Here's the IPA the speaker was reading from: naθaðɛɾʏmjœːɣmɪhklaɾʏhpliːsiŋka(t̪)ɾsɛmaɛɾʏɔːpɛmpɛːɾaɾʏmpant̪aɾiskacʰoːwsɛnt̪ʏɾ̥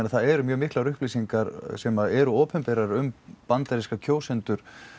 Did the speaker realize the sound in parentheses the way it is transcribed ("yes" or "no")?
no